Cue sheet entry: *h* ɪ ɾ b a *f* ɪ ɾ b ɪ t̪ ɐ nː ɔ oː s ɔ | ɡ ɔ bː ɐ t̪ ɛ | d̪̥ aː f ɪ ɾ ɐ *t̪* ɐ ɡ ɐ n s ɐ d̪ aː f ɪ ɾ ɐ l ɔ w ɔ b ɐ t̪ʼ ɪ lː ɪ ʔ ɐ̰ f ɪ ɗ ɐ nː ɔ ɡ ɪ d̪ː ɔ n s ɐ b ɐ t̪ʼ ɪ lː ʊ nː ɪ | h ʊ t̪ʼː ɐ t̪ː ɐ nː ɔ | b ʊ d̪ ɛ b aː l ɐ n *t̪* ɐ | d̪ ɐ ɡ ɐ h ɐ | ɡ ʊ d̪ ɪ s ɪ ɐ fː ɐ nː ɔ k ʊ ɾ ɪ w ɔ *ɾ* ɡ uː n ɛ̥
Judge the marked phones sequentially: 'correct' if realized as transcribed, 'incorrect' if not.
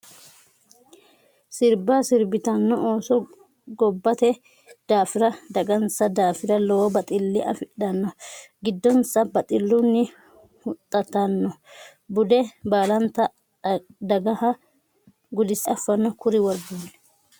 incorrect, incorrect, incorrect, correct, correct

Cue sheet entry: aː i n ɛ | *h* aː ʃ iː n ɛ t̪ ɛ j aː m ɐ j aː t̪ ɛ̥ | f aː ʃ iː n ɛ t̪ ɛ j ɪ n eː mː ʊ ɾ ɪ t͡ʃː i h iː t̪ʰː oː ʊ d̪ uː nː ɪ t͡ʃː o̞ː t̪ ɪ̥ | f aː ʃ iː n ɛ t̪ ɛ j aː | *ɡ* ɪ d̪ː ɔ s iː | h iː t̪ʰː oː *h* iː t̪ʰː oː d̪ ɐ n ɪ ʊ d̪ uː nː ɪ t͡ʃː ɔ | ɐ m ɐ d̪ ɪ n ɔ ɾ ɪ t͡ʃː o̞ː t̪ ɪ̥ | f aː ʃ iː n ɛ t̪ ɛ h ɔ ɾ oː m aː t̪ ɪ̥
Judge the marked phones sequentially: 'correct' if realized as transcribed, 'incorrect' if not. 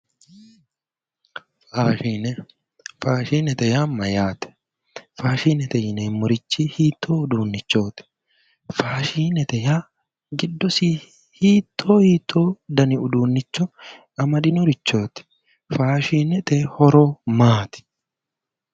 incorrect, correct, correct

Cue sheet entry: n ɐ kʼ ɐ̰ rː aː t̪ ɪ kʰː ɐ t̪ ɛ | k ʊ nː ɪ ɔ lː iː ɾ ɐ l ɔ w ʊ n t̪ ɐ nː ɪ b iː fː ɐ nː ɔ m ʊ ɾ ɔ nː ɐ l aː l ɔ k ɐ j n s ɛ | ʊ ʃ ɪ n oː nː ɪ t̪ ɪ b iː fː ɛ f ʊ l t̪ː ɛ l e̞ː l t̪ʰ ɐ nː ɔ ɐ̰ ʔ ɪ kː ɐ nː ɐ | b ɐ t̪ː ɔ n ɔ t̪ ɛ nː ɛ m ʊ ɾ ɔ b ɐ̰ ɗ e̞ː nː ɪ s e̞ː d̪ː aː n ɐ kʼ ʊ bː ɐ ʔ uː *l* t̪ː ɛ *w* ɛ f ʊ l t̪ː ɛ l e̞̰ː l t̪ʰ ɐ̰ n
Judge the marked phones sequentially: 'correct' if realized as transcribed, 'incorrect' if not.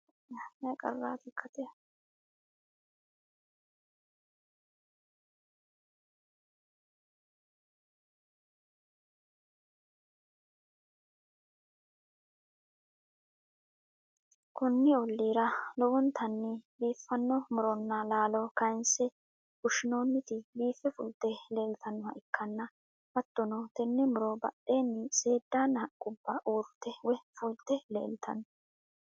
incorrect, correct

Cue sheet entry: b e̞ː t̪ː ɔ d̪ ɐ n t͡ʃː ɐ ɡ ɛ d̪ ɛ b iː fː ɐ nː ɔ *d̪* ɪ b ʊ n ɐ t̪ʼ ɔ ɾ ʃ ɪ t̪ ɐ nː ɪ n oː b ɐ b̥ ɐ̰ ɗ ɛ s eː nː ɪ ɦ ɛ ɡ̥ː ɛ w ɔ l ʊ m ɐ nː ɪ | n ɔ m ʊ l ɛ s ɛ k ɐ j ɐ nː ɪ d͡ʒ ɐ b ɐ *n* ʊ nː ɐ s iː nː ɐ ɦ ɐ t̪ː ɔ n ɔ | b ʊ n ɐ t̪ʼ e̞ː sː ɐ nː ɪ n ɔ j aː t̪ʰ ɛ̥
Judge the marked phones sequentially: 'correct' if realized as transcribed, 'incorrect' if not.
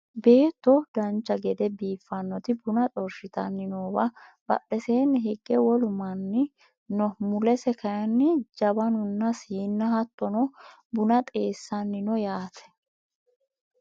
incorrect, correct

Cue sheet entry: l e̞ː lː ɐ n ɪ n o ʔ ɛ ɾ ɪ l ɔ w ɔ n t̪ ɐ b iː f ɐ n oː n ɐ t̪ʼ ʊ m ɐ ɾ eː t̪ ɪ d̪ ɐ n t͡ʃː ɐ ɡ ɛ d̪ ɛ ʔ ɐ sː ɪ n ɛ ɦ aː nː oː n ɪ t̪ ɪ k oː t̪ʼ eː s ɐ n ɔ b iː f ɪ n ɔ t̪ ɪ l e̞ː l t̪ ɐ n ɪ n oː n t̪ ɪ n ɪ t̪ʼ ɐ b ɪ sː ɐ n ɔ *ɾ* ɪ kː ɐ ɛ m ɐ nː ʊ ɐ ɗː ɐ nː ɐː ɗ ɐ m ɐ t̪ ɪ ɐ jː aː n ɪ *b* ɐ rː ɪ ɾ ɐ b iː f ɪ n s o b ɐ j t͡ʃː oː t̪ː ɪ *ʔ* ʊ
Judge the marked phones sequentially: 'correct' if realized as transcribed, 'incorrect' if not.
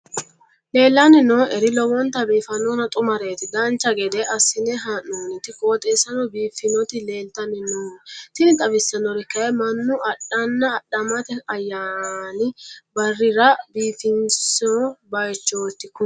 correct, correct, incorrect

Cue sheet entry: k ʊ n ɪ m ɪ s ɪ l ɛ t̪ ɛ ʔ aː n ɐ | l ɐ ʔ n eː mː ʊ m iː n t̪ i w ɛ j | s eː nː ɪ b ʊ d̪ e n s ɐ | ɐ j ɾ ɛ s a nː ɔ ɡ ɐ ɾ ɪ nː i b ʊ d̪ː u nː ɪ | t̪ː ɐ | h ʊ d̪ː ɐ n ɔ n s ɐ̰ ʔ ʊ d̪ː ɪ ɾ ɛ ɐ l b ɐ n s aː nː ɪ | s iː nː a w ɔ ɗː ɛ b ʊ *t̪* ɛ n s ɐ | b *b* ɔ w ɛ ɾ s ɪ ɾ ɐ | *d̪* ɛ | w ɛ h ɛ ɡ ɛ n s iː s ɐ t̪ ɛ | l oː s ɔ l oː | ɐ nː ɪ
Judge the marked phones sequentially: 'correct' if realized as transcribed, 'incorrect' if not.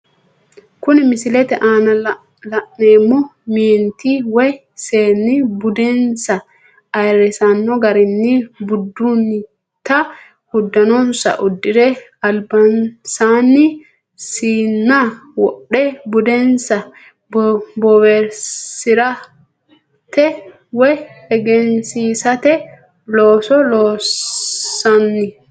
incorrect, correct, incorrect

